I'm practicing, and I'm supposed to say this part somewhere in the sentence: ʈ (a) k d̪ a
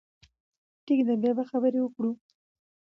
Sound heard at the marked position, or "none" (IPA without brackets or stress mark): i